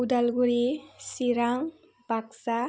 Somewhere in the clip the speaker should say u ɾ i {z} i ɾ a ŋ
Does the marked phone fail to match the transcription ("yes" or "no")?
yes